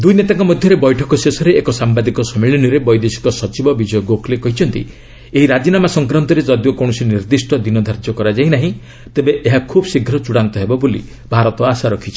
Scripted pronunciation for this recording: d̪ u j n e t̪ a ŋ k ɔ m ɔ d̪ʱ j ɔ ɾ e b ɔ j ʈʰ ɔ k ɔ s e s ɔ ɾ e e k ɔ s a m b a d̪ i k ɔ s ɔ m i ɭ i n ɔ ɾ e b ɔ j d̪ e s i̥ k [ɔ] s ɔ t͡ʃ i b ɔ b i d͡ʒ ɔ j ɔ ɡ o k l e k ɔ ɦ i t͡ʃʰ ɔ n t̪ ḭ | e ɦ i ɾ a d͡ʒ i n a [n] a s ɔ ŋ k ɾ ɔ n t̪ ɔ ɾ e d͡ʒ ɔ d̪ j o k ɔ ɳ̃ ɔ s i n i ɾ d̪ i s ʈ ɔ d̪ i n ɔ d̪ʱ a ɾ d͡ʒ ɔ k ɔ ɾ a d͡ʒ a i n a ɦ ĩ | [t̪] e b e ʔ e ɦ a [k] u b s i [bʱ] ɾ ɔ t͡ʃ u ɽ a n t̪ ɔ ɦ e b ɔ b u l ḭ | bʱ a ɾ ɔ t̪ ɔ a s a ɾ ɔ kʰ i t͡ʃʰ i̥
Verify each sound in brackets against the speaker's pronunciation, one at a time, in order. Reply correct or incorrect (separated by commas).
correct, incorrect, correct, incorrect, incorrect